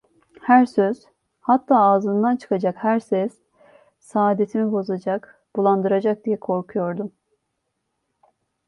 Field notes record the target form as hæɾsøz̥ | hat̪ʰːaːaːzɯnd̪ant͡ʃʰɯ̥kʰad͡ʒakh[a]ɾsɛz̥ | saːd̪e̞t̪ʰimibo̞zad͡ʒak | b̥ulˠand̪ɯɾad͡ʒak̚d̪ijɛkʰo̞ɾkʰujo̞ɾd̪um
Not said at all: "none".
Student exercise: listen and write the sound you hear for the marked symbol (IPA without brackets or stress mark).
æ